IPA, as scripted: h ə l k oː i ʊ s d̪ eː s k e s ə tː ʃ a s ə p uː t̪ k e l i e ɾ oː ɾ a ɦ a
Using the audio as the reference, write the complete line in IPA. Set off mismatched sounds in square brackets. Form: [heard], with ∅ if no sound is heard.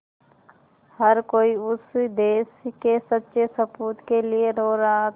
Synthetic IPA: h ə [ɾ] k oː i ʊ s d̪ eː s k e s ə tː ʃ [e] s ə p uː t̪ k e l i e ɾ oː ɾ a ɦ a